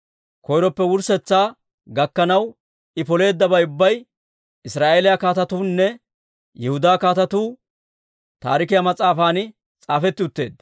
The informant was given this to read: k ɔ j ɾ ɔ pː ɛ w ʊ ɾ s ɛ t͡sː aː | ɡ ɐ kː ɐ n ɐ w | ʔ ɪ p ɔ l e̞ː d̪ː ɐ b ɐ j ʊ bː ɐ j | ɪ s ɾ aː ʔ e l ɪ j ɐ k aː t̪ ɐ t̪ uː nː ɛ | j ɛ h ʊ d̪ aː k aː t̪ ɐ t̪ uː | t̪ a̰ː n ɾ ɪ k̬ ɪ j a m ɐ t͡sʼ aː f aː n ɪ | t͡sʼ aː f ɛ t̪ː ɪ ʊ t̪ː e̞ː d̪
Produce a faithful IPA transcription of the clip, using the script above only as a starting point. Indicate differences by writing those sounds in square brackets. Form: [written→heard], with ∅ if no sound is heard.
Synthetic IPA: k ɔ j ɾ ɔ pː ɛ w ʊ ɾ s ɛ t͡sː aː | ɡ ɐ kː ɐ n ɐ w | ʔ ɪ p ɔ l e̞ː d̪ː ɐ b ɐ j ʊ bː ɐ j | ɪ s ɾ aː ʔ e l ɪ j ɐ k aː t̪ ɐ t̪ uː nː ɛ | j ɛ h ʊ d̪ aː k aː t̪ ɐ t̪ uː | t̪ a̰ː [n→∅] ɾ ɪ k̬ ɪ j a m ɐ t͡sʼ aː f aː n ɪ | t͡sʼ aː f ɛ t̪ː ɪ ʊ t̪ː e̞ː d̪